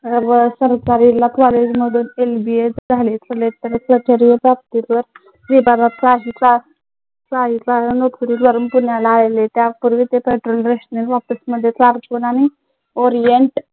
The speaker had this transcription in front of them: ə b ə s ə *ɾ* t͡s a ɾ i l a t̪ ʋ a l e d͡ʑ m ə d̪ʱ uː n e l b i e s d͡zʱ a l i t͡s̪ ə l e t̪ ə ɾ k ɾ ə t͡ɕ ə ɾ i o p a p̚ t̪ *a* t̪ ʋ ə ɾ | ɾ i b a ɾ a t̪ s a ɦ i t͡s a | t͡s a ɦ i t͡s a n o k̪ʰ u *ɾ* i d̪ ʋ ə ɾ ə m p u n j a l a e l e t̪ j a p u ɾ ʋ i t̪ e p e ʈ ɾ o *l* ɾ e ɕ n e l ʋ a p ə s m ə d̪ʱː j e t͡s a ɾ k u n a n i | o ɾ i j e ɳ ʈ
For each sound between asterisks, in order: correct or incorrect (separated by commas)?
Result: correct, incorrect, correct, correct